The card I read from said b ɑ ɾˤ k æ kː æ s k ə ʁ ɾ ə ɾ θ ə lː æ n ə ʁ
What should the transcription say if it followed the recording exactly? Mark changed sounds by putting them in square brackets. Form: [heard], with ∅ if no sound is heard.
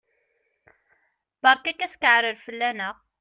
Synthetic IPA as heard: b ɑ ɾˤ k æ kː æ s k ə [ʕ] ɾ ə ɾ [f] ə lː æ n ə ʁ